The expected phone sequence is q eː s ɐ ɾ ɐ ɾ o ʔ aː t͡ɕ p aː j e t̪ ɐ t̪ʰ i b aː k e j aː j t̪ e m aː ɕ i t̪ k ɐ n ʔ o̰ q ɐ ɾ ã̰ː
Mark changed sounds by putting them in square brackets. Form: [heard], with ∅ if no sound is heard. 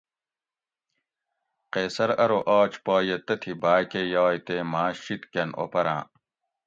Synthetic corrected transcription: q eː s ɐ ɾ ɐ ɾ o ʔ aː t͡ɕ p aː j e t̪ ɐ t̪ʰ i b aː k e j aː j t̪ e m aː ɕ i t̪ k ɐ n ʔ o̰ [p] ɐ ɾ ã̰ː

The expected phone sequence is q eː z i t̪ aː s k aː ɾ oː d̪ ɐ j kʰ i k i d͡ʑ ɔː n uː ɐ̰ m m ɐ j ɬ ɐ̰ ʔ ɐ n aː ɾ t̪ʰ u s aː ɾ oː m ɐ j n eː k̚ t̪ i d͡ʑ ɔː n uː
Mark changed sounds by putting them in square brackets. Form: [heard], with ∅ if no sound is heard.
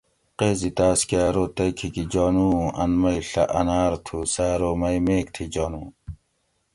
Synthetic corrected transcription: q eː z i t̪ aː s k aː ɾ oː [t̪] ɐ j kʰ i k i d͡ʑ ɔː n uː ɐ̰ [n] m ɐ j ɬ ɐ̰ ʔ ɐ n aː ɾ t̪ʰ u s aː ɾ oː m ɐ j [m] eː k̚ [t̪ʰ] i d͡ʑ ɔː n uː

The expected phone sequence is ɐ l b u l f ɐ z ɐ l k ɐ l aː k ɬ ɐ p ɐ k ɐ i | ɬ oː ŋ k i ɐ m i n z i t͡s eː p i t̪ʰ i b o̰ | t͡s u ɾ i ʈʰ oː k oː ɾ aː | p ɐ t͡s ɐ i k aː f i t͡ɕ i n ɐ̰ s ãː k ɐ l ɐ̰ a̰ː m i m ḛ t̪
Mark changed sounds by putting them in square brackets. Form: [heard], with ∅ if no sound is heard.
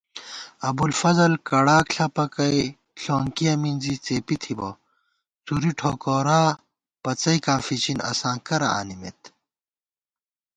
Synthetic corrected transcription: ɐ [∅] b u l f ɐ z ɐ l k ɐ [ɽ] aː k ɬ ɐ p ɐ k ɐ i | ɬ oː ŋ k i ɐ m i n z i t͡s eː p i t̪ʰ i b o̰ | t͡s u ɾ i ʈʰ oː k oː ɾ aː | p ɐ t͡s ɐ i k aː f i t͡ɕ i n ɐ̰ s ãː k ɐ [ɾ] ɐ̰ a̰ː [n] i m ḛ t̪

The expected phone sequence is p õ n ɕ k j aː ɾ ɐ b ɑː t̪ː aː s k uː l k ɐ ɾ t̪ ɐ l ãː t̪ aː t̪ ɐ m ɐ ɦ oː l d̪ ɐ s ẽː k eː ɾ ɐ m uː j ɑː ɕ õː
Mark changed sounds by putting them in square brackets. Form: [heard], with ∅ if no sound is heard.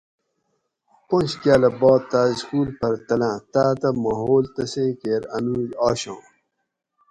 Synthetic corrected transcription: p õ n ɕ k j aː [l] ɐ b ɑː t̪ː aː s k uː l [p] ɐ ɾ t̪ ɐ l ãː t̪ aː t̪ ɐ m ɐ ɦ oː l [t̪] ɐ s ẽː k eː ɾ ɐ [n] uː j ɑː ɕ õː

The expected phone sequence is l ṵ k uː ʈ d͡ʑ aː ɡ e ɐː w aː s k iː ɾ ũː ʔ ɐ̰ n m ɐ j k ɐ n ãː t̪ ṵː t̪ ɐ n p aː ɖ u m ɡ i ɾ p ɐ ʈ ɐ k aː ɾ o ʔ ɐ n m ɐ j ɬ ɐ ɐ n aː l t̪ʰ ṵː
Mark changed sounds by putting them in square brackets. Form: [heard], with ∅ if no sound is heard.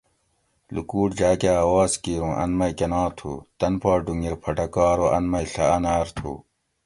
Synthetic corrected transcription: l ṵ k uː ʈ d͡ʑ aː [k] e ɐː w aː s k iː ɾ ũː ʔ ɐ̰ n m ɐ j k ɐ n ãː [t̪ʰ] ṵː t̪ ɐ n p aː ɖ u [ŋ] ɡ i ɾ [pʰ] ɐ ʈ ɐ k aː ɾ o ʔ ɐ n m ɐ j ɬ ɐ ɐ n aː [ɾ] t̪ʰ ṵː

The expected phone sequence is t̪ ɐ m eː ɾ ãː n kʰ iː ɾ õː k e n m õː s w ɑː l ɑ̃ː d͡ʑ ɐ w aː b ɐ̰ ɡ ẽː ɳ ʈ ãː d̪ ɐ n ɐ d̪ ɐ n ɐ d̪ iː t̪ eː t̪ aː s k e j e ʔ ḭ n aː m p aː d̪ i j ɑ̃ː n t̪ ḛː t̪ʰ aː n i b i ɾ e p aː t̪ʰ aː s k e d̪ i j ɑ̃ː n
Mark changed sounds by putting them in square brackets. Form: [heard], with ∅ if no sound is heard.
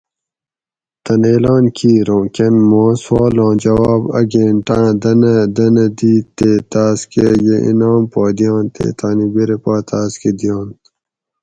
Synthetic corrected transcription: t̪ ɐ [n] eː [l] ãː n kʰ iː ɾ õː k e n m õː s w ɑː l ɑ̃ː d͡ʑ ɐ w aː b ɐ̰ ɡ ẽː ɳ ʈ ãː d̪ ɐ n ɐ d̪ ɐ n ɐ d̪ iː t̪ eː t̪ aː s k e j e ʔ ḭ n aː m p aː d̪ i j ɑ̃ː n t̪ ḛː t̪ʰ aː n i b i ɾ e p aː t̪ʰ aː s k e d̪ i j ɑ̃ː n

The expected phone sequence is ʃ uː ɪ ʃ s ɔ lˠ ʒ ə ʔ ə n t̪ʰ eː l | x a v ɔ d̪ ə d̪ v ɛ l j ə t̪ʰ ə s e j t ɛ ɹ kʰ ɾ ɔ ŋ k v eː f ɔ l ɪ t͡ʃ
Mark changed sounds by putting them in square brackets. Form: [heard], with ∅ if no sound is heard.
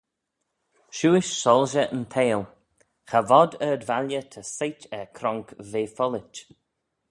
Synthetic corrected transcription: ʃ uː ɪ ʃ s ɔ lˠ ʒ ə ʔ ə n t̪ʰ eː l | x a v ɔ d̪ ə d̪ v [a] l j ə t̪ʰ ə s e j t ɛ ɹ kʰ ɾ ɔ ŋ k v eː f ɔ l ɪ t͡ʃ

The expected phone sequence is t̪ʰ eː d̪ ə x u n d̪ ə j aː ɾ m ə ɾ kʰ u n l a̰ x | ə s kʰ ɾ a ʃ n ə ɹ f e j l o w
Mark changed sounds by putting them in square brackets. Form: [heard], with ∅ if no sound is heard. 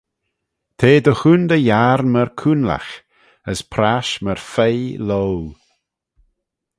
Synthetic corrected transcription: t̪ʰ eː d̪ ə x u n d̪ ə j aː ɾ m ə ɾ kʰ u n l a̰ x | ə s [pʰ] ɾ a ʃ [m] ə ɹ f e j l o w

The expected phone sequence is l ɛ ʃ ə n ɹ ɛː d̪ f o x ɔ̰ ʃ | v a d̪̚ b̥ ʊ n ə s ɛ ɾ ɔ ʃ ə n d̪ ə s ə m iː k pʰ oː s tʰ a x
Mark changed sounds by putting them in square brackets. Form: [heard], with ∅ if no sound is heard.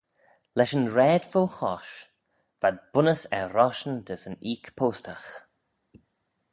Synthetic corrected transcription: l ɛ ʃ ə n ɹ ɛː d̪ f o x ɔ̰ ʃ | v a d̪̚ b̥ ʊ n ə s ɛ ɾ ɔ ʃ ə n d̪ ə s ə [n] iː k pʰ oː s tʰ a x

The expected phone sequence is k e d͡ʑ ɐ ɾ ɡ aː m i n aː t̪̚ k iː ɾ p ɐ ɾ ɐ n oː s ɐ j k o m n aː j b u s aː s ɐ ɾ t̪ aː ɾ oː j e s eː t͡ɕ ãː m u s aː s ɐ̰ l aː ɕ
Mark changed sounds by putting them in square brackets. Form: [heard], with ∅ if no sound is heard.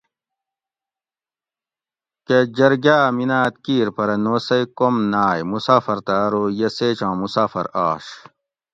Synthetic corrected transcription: k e d͡ʑ ɐ ɾ ɡ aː m i n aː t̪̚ k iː ɾ p ɐ ɾ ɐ n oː s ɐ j k o m n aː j [m] u s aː [f] ɐ ɾ t̪ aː ɾ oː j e s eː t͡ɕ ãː m u s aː [f] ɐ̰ [ɾ] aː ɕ

